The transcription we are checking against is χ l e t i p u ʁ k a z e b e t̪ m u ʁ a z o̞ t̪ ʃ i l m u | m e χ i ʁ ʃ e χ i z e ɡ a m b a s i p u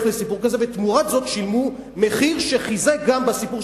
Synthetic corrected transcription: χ l e s i p u ʁ k a z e v e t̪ m u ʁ a z o̞ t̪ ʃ i l m u | m e χ i ʁ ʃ e χ i z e ɡ a m b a s i p u